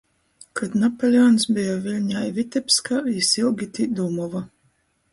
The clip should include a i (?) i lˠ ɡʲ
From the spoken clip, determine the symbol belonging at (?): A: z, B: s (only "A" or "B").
B